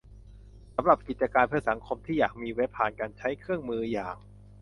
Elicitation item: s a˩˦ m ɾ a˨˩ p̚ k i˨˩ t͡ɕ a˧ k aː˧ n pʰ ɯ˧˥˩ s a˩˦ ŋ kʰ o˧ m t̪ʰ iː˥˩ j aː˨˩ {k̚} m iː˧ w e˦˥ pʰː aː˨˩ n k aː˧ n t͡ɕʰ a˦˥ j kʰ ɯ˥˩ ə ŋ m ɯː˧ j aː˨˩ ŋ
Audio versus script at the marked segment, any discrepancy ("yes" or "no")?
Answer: no